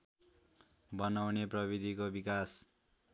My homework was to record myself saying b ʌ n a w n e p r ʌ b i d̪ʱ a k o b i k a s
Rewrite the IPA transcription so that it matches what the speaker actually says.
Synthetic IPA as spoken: b ʌ n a w n e p r ʌ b i d̪ʱ i k o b i k a s